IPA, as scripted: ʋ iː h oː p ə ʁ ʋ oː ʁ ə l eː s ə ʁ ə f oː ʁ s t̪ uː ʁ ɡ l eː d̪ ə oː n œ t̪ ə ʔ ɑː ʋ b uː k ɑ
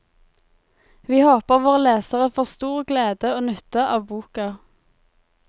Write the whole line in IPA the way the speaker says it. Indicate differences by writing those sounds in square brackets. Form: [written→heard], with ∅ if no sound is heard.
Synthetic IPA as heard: ʋ iː h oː p ə ʁ ʋ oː ʁ ə l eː s ə ʁ ə f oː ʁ s t̪ uː ʁ ɡ l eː d̪ ə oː n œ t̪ ə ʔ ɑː ʋ b uː k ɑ